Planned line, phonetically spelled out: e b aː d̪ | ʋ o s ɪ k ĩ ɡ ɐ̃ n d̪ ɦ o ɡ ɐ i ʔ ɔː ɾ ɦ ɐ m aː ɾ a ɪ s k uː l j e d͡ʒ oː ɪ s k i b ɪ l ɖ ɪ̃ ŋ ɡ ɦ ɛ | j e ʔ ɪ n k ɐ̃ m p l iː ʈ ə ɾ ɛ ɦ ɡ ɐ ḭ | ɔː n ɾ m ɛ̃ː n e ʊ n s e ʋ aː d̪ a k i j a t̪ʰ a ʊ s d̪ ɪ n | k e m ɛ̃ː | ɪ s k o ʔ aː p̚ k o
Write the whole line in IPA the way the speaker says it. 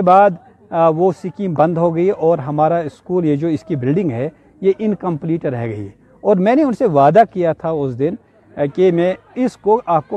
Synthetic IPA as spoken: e b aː d̪ | ʋ o s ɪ k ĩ b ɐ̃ n d̪ ɦ o ɡ ɐ i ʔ ɔː ɾ ɦ ɐ m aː ɾ a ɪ s k uː l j e d͡ʒ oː ɪ s k i b ɪ l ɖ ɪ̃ ŋ ɡ ɦ ɛ | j e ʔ ɪ n k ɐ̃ m p l iː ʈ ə ɾ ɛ ɦ ɡ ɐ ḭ | ɔː ɾ m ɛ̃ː n e ʊ n s e ʋ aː d̪ a k i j a t̪ʰ a ʊ s d̪ ɪ n | k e m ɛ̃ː | ɪ s k o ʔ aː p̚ k o